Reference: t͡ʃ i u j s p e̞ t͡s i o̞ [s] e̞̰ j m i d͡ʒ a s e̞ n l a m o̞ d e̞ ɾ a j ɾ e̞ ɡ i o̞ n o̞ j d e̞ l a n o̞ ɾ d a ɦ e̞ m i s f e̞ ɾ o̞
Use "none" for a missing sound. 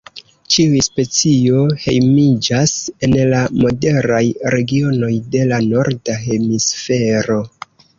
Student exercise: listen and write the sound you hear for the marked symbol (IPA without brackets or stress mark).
h